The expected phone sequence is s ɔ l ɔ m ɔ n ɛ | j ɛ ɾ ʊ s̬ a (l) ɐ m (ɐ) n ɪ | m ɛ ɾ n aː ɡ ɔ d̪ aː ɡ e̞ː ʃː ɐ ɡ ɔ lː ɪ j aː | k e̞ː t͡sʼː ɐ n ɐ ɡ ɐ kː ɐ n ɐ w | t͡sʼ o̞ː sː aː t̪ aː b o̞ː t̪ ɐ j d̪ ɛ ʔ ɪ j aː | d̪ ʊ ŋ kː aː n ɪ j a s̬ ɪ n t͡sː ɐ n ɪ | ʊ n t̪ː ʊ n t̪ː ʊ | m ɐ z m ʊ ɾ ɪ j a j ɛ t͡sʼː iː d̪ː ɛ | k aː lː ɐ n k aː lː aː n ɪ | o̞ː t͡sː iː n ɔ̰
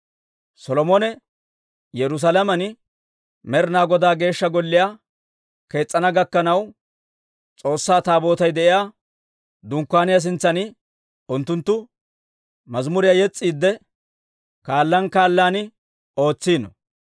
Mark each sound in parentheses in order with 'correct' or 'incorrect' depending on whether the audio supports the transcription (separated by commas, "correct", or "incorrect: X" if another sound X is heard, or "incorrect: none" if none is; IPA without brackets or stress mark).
correct, correct